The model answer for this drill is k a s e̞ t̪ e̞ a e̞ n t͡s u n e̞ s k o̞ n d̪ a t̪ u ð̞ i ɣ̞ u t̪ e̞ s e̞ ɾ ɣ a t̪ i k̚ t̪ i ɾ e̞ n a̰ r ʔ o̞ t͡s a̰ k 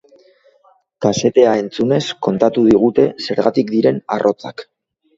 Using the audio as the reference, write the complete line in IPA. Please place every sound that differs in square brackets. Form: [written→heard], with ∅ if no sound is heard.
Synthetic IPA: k a s e̞ t̪ e̞ a e̞ n t͡s u n e̞ s k o̞ n [d̪→t̪] a t̪ u ð̞ i ɣ̞ u t̪ e̞ s e̞ ɾ ɣ a t̪ i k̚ [t̪→d̪] i ɾ e̞ n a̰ r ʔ o̞ t͡s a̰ k